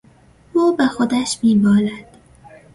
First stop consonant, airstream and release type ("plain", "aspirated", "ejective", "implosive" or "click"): plain